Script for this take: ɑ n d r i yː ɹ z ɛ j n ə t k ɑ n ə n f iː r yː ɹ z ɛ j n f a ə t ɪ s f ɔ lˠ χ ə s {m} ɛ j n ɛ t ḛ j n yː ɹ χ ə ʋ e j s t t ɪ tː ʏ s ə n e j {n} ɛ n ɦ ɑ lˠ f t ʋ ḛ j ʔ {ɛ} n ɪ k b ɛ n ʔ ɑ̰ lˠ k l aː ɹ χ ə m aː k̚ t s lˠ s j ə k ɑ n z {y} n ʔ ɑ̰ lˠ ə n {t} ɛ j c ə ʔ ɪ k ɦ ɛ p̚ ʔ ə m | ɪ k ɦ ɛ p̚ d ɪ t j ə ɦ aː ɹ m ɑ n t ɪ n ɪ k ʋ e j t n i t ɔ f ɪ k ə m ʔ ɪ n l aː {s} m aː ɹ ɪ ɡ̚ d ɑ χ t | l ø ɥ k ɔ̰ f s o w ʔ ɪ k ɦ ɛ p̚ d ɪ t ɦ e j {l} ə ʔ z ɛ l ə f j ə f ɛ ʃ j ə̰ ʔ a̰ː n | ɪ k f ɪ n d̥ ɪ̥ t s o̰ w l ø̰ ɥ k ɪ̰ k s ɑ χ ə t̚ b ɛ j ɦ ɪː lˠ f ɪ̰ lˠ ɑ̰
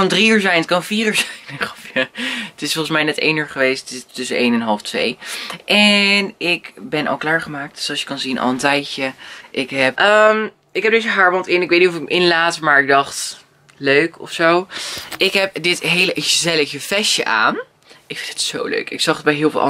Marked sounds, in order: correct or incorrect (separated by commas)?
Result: correct, correct, correct, incorrect, correct, incorrect, correct